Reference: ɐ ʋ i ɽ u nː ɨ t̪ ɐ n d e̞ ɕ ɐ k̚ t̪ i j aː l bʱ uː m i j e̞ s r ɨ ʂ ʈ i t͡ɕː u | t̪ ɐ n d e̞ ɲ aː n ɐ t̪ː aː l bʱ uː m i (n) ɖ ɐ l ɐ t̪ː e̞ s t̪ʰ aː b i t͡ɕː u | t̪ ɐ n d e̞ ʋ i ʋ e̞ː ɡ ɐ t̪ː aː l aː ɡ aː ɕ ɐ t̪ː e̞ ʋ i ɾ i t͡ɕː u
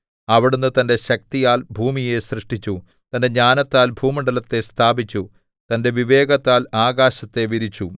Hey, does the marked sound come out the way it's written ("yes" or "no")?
no